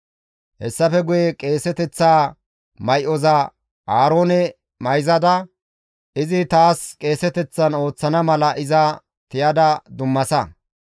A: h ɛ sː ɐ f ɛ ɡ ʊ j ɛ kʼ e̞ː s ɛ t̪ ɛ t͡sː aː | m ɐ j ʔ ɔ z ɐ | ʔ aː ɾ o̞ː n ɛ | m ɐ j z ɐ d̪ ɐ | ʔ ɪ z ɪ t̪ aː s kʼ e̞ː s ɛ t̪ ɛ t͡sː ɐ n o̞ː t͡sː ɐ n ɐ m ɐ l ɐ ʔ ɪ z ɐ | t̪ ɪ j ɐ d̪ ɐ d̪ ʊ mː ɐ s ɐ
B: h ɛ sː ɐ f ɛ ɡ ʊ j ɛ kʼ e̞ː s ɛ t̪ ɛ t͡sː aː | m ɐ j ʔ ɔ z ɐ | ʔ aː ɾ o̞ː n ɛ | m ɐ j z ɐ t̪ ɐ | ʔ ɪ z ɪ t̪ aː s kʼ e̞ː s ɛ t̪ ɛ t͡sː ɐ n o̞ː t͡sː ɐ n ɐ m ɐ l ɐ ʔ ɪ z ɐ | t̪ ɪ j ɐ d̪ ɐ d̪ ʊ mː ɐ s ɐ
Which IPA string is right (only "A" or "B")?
A